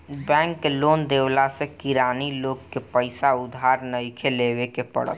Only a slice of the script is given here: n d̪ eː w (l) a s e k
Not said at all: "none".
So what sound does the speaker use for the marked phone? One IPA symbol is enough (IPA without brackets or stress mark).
l